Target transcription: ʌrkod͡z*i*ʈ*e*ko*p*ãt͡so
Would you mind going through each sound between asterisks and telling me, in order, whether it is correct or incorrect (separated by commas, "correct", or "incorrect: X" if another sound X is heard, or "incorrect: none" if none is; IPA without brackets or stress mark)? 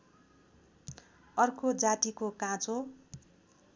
incorrect: a, incorrect: i, incorrect: k